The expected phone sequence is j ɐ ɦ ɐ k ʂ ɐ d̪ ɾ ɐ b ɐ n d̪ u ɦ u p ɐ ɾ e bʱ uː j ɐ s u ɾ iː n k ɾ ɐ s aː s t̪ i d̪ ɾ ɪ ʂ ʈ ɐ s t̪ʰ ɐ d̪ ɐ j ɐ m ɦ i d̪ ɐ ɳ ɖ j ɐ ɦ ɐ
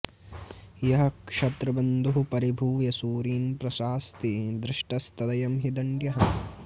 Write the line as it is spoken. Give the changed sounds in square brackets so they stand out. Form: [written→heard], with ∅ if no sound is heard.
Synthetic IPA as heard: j ɐ ɦ ɐ k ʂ ɐ [d̪→t̪] ɾ ɐ b ɐ n d̪ u ɦ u p ɐ ɾ [e→i] bʱ uː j ɐ s [u→uː] ɾ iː n [k→p] ɾ ɐ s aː s t̪ i d̪ ɾ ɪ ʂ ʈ ɐ s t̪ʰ ɐ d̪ ɐ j ɐ m ɦ i d̪ ɐ ɳ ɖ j ɐ ɦ ɐ